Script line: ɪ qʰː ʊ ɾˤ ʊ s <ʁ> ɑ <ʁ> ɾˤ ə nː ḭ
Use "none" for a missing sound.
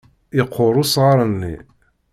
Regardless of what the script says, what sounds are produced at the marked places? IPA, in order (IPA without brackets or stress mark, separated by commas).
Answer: ʁ, none